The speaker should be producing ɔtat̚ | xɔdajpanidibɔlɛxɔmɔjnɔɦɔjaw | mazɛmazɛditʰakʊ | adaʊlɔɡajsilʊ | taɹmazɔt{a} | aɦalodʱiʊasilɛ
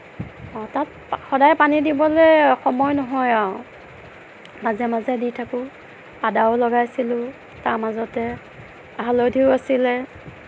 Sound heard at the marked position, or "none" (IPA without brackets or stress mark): ɛ